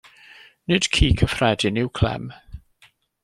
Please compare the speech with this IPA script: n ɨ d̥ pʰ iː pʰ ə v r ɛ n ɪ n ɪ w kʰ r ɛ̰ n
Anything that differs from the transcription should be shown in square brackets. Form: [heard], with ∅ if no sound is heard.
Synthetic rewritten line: n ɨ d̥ [kʰ] iː [kʰ] ə [f] r ɛ [d] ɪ n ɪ w kʰ [l] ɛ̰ [m]